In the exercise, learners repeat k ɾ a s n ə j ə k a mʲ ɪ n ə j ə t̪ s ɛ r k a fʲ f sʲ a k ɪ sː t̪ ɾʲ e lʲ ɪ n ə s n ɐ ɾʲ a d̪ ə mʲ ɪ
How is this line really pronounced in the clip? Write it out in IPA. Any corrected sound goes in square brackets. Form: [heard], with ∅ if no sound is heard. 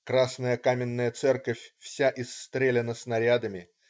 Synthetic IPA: k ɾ a s n ə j ə k a mʲ ɪ [nː] ə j ə t̪ s ɛ r k [ə] fʲ f sʲ a [ʔ] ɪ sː t̪ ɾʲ e lʲ ɪ n ə s n ɐ ɾʲ a d̪ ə mʲ ɪ

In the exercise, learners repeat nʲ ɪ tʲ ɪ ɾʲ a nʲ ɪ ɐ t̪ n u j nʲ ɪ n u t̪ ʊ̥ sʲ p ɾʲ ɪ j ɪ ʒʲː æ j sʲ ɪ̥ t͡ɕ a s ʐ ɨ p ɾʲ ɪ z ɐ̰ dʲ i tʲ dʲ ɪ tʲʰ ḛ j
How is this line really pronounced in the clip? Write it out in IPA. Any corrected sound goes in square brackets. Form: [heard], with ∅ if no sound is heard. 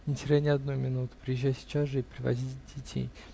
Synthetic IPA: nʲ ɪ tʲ ɪ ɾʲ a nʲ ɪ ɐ [d̪] n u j [mʲ] ɪ n u t̪ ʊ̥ [∅] p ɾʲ ɪ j ɪ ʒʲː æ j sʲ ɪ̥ t͡ɕ a s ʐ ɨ p ɾʲ ɪ [v] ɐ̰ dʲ i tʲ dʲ ɪ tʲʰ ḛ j

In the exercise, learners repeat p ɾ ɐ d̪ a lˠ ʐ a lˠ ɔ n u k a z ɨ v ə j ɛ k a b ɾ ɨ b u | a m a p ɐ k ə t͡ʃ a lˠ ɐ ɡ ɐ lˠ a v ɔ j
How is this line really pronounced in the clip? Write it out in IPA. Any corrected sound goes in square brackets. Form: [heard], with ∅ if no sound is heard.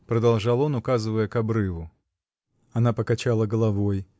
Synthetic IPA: p ɾ ɐ d̪ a lˠ ʐ a lˠ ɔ n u k a z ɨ v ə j ɛ k a b ɾ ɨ [v] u | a [n] a p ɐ k [a] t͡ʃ a lˠ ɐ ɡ ɐ lˠ a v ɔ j

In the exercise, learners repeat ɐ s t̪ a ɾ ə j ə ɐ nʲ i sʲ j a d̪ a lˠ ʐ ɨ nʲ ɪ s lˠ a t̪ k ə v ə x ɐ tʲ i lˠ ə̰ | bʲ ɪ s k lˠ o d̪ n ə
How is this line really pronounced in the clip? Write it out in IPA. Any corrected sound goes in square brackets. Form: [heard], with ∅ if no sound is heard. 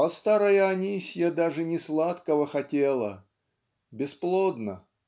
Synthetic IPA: ɐ s t̪ a ɾ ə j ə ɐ nʲ i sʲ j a d̪ a [∅] ʐ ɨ nʲ ɪ s lˠ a t̪ k ə v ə x ɐ tʲ [e] lˠ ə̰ | bʲ ɪ s [p] lˠ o d̪ n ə

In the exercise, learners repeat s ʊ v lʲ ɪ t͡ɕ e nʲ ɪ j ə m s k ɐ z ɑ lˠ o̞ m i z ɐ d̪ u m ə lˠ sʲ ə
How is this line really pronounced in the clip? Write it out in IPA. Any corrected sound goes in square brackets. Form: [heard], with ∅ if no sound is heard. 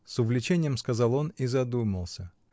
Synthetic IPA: s ʊ v lʲ ɪ t͡ɕ e nʲ ɪ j ə m s k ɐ z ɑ lˠ o̞ [n] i z ɐ d̪ u m ə lˠ sʲ ə

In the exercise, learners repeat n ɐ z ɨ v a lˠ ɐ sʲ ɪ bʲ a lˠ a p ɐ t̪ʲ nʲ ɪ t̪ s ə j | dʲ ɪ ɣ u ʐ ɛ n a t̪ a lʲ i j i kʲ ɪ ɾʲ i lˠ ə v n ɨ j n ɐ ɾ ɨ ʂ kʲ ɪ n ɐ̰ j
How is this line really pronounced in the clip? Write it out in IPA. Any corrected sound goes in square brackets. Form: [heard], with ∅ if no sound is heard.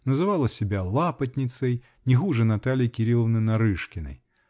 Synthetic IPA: n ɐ z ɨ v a lˠ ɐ sʲ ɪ bʲ a lˠ a p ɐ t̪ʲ nʲ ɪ t̪ s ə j | [nʲ] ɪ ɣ u ʐ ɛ n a t̪ a lʲ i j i kʲ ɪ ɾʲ i lˠ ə v n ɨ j n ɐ ɾ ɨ ʂ kʲ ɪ n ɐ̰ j

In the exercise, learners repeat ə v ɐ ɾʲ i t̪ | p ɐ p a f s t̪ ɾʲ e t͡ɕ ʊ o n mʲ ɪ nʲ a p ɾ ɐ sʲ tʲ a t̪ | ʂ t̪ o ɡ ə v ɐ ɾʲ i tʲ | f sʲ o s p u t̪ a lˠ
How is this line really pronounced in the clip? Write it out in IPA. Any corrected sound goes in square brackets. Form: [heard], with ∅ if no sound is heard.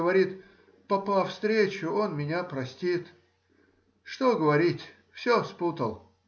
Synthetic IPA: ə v ɐ ɾʲ i t̪ | p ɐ p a f s t̪ ɾʲ e t͡ɕ ʊ o n mʲ ɪ nʲ a p ɾ ɐ sʲ tʲ [i] t̪ | ʂ t̪ o ɡ ə v ɐ ɾʲ i tʲ | f sʲ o s p u t̪ [ə] lˠ

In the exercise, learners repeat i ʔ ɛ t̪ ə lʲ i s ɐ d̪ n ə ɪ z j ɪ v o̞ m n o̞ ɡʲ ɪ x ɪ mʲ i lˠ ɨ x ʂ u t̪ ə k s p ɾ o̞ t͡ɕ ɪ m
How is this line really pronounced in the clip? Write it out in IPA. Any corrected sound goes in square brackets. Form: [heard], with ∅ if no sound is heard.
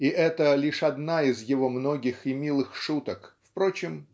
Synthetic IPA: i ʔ ɛ t̪ ə lʲ i [ʂ] ɐ d̪ n [a] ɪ z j ɪ v o̞ m n o̞ ɡʲ ɪ x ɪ mʲ i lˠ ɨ x ʂ u t̪ ə k [f] p ɾ o̞ t͡ɕ ɪ m

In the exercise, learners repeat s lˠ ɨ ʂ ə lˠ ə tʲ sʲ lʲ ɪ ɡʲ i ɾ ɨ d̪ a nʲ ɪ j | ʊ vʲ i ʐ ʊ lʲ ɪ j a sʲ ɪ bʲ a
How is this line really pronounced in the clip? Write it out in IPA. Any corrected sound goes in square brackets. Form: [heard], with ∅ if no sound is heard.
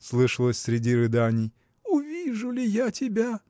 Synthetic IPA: s lˠ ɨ ʂ ə lˠ ə [sʲ] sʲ [ɾʲ] ɪ [dʲ] i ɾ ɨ d̪ a nʲ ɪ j | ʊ vʲ i ʐ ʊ lʲ ɪ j a [tʲ] ɪ bʲ a

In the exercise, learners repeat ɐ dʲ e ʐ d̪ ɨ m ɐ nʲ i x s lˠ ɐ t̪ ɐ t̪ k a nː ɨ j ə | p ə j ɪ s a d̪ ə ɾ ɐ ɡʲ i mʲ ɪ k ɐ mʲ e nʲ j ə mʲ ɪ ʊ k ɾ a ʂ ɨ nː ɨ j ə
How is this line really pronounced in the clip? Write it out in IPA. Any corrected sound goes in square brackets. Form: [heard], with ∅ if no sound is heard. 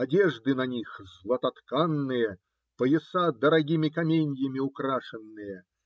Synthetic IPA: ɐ dʲ e ʐ d̪ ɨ [n] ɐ nʲ i x [z] lˠ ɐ t̪ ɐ t̪ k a nː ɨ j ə | p ə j ɪ s a d̪ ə ɾ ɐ ɡʲ i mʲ ɪ k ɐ mʲ e nʲ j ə mʲ ɪ ʊ k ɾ a ʂ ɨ nː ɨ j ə

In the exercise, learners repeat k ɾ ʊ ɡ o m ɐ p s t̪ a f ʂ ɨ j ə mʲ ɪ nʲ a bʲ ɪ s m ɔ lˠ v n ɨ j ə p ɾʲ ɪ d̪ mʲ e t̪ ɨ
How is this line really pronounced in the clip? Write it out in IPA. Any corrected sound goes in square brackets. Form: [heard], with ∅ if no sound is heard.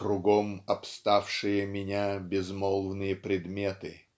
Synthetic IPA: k ɾ ʊ ɡ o m ɐ p s t̪ a f ʂ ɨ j ə mʲ ɪ nʲ a bʲ ɪ [z] m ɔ lˠ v n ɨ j ə p ɾʲ ɪ d̪ mʲ e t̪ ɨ

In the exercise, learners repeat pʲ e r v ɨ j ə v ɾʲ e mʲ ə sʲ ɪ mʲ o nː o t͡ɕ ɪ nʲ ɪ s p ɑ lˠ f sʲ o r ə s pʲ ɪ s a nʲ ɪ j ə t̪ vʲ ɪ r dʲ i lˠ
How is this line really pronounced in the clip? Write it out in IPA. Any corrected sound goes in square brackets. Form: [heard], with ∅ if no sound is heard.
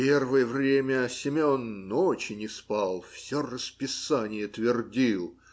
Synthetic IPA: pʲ e r v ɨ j ə v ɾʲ e mʲ ə sʲ ɪ mʲ o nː o t͡ɕ ɪ nʲ ɪ s p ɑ lˠ f sʲ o r ə s pʲ ɪ s a nʲ ɪ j ə t̪ vʲ ɪ r dʲ i lˠ

